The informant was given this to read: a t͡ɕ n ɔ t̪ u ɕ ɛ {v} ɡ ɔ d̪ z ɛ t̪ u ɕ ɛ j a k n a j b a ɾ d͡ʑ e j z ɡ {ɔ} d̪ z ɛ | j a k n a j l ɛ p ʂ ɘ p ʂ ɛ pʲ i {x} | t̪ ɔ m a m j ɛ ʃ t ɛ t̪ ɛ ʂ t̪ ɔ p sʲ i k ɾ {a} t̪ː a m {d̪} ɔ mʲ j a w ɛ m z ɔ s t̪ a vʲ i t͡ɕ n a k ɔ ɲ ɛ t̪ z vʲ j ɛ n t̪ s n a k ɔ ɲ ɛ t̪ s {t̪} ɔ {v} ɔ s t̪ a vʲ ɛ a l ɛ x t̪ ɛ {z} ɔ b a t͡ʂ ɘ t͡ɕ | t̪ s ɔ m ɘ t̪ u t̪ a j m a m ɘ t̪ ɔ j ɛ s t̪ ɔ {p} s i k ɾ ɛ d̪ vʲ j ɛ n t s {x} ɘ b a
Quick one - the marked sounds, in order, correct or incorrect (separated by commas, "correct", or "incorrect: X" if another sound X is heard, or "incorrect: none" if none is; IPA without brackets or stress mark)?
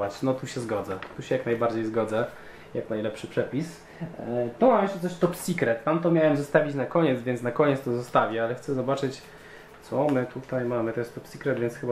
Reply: incorrect: z, correct, incorrect: s, incorrect: ɛ, incorrect: t̪, correct, incorrect: z, correct, correct, correct